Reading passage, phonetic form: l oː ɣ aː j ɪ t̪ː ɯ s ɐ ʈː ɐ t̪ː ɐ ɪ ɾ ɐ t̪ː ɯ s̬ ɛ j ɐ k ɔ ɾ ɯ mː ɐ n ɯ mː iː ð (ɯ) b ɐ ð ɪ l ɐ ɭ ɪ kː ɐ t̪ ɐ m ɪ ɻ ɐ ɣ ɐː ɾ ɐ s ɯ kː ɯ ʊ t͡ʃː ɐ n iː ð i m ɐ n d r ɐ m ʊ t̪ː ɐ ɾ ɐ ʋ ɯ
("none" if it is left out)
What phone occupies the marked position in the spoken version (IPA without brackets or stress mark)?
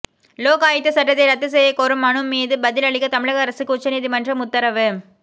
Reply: ɯ